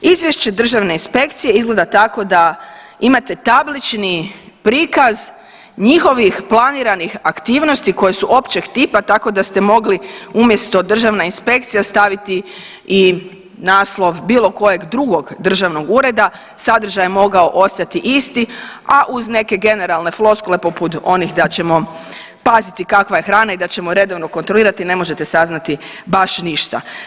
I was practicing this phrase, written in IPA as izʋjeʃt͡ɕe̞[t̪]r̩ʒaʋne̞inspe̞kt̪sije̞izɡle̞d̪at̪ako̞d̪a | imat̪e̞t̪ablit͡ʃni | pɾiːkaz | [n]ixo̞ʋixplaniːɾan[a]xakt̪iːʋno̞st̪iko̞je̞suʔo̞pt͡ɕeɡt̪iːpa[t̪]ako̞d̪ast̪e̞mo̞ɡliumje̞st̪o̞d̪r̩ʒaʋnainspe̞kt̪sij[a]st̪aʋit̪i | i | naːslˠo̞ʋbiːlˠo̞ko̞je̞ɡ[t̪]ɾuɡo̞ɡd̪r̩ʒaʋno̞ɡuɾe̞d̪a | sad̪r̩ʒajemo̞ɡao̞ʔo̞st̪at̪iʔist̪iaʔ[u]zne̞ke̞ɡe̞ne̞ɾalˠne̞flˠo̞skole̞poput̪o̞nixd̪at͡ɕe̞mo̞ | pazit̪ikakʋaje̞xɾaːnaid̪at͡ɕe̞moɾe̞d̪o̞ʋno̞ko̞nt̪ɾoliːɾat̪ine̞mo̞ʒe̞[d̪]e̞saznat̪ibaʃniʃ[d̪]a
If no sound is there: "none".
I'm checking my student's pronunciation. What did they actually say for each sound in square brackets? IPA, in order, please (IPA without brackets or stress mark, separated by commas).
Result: d̪, ɲ, i, t̪, a, d̪, u, t̪, t̪